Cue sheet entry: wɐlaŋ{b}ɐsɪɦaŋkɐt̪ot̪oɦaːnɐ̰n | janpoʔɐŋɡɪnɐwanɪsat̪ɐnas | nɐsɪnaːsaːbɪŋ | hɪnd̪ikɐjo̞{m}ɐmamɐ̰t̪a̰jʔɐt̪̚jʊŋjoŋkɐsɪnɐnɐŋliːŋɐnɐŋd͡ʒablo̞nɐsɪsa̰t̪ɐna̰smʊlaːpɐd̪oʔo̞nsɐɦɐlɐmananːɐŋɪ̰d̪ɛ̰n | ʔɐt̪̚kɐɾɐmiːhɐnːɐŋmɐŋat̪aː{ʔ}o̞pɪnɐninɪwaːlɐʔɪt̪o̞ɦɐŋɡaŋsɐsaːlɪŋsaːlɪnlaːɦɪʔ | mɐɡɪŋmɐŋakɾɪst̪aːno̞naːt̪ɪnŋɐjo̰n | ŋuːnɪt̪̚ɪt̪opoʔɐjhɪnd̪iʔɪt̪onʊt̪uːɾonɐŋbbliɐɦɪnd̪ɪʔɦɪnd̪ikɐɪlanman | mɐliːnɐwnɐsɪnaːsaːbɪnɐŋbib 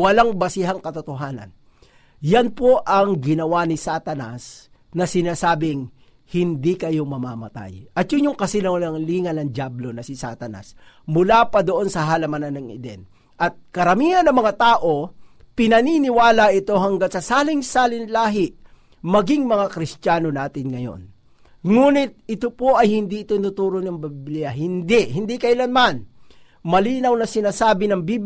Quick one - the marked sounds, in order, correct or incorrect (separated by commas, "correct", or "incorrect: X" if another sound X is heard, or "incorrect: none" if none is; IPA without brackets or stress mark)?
correct, correct, correct